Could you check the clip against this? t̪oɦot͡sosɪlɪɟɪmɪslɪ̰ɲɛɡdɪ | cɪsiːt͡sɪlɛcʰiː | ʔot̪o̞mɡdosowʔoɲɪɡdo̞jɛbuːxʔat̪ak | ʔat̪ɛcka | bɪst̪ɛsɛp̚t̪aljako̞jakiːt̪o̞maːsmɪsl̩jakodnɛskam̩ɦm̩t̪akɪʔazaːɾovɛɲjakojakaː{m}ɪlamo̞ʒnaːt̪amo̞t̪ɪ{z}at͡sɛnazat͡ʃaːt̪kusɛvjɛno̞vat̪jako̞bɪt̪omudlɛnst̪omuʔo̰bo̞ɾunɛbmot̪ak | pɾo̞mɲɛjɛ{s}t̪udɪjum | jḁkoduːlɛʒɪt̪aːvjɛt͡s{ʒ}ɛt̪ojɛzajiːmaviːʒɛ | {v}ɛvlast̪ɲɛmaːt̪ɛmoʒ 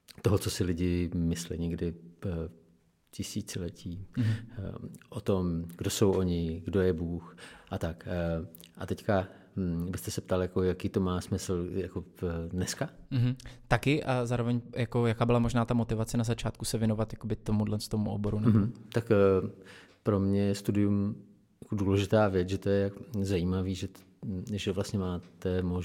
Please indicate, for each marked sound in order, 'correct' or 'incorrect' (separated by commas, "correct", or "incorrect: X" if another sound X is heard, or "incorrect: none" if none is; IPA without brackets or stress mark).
incorrect: b, incorrect: v, correct, correct, incorrect: ʒ